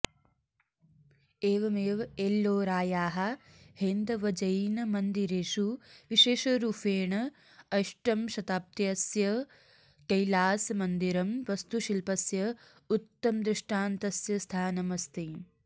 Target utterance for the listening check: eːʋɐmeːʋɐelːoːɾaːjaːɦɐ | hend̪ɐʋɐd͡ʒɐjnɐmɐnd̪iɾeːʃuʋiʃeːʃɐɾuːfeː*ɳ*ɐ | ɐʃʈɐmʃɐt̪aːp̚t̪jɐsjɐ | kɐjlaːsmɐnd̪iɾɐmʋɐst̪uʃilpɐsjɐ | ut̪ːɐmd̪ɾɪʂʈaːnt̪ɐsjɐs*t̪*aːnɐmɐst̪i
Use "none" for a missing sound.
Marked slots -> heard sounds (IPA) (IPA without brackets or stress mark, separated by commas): ɳ, t̪ʰ